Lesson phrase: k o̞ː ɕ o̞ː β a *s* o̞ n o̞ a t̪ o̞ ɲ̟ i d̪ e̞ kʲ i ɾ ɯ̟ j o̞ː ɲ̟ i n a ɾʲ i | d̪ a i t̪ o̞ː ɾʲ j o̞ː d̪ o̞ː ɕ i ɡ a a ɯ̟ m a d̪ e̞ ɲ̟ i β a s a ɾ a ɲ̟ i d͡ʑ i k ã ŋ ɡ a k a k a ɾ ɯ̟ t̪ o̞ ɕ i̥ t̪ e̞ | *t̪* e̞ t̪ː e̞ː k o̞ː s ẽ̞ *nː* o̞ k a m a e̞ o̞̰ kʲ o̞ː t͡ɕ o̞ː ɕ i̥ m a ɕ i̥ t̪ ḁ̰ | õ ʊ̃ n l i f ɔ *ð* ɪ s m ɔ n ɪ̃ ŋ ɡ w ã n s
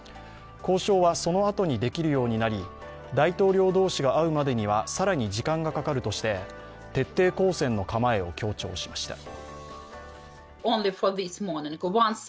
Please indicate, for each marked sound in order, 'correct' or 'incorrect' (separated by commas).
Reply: correct, correct, correct, correct